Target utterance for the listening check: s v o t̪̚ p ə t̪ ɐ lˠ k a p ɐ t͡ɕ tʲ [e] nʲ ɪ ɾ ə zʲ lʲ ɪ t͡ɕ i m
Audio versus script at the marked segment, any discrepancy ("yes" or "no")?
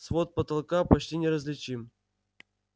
yes